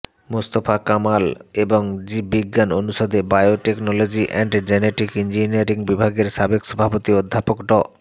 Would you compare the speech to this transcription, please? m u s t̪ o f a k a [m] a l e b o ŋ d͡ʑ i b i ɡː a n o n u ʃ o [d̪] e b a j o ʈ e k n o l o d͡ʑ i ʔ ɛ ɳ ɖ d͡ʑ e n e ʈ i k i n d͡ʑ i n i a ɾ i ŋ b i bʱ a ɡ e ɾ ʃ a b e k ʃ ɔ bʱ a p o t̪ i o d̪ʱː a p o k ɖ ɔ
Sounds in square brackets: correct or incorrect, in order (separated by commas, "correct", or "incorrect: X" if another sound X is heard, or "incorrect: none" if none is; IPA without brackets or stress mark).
correct, correct